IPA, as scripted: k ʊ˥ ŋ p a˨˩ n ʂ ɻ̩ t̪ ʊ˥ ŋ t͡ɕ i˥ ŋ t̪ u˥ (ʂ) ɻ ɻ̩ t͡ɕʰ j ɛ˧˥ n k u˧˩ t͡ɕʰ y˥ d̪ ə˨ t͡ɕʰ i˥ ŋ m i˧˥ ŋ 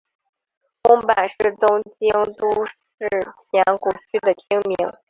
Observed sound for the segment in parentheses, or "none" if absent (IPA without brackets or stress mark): ʂ